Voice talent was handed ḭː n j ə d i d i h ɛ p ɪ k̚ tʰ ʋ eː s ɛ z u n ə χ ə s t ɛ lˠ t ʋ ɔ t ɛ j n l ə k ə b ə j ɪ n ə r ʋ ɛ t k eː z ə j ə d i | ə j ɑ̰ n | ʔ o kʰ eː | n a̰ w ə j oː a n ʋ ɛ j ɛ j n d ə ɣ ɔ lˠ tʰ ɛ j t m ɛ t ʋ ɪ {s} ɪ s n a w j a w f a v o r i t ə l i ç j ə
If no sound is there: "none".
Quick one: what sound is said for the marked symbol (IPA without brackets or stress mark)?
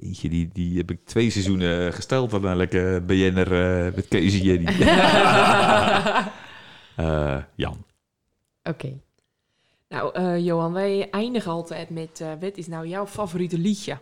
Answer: t